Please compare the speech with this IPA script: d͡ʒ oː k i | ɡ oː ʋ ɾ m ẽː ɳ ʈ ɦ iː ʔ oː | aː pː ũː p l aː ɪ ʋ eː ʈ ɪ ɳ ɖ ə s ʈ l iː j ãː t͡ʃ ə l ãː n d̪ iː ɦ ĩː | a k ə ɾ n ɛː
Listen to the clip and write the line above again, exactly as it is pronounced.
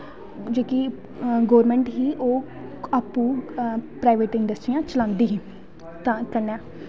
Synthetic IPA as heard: d͡ʒ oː k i | ɡ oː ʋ ɾ m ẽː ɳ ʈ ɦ iː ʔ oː | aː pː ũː p ɾ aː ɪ ʋ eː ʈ ɪ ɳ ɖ ə s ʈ ɾ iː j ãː t͡ʃ ə l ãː n d̪ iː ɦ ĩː | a k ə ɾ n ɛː

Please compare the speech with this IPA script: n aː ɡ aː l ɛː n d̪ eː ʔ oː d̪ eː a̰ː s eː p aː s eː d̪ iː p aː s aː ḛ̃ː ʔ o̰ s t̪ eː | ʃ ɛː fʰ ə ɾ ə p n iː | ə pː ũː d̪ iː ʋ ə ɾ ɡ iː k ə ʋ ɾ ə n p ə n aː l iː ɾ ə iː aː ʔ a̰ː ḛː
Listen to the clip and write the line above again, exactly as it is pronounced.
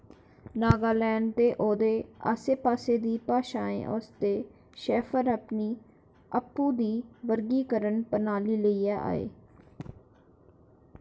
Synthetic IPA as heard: n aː ɡ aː l ɛː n t̪ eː ʔ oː d̪ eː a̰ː s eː p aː s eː d̪ iː p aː ʃ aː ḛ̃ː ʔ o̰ s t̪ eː | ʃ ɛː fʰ ə ɾ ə p n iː | ə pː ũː d̪ iː ʋ ə ɾ ɡ iː k ə ɾ ə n p ə n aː l iː l ə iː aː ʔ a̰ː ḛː

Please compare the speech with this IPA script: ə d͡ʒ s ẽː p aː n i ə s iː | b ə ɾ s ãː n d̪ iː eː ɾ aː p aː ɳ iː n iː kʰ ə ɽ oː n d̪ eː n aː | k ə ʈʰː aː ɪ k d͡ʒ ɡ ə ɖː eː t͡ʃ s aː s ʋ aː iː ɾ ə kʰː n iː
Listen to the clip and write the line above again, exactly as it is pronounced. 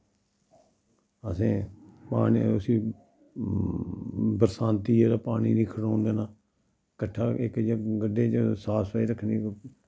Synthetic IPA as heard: ə s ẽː p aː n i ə s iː | b ə ɾ s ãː n t̪ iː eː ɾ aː p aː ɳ iː n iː kʰ ə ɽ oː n d̪ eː n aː | k ə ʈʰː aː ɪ k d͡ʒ ɡ ə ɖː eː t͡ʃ s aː s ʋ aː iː ɾ ə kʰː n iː

